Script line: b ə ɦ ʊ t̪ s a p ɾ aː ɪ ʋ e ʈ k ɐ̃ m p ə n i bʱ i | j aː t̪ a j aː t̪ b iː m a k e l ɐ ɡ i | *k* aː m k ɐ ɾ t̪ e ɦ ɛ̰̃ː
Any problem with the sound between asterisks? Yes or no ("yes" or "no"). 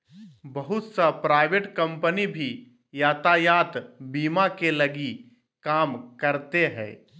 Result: no